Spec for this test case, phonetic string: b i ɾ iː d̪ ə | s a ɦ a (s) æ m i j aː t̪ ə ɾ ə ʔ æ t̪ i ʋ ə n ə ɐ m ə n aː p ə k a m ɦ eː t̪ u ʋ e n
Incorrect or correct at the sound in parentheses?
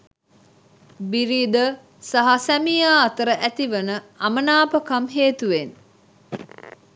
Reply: correct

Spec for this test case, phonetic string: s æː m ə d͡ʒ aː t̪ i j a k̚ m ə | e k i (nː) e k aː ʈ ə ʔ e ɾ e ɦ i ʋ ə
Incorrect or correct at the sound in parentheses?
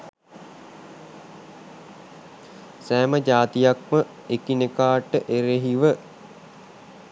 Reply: incorrect: n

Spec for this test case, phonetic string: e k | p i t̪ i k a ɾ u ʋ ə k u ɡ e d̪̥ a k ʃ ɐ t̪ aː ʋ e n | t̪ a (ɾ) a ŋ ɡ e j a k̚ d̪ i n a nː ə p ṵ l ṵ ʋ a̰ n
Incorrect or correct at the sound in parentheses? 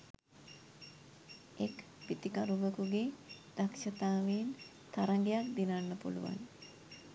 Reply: correct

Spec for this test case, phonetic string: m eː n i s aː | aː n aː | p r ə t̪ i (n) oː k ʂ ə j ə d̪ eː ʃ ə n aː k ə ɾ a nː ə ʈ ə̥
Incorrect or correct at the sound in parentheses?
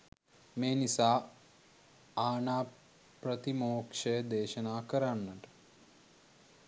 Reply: incorrect: m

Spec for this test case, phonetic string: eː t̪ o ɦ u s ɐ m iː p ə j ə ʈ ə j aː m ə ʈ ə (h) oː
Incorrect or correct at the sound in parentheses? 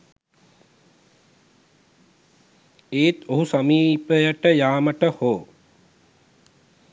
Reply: correct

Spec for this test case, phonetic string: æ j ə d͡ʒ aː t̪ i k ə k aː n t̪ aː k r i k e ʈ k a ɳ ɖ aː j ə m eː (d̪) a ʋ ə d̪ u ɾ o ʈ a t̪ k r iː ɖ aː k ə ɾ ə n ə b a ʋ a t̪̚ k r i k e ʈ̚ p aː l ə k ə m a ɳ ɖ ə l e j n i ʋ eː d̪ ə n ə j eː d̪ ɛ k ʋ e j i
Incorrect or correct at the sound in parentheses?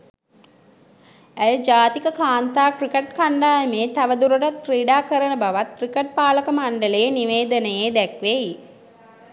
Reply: incorrect: t̪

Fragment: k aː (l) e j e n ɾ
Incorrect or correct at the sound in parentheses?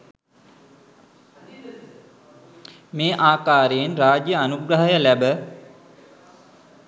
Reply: incorrect: ɾ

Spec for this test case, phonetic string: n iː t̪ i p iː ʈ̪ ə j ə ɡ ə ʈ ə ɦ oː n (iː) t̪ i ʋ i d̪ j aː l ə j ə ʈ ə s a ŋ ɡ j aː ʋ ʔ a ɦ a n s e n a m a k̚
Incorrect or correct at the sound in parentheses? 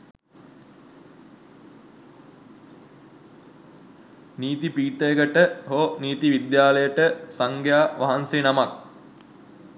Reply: correct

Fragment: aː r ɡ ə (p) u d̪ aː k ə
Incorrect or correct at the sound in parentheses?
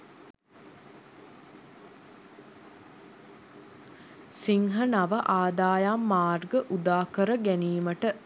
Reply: incorrect: ʔ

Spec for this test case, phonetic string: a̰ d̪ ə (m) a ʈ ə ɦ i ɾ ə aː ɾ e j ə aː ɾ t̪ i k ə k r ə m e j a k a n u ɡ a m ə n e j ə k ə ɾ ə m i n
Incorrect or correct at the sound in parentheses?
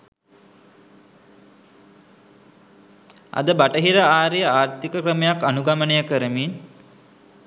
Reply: incorrect: b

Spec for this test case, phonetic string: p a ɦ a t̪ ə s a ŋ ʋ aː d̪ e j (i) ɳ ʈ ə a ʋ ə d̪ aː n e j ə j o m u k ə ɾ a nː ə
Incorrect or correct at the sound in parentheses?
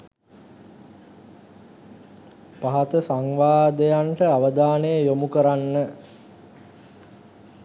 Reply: incorrect: a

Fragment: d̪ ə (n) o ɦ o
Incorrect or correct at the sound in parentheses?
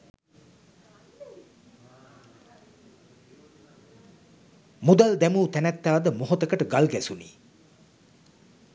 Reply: incorrect: m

